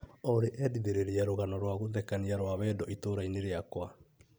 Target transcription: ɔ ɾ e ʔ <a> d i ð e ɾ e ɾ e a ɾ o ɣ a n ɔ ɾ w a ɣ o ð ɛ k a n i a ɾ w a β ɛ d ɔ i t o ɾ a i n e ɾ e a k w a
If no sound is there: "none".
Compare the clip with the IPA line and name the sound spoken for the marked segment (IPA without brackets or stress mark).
ɛ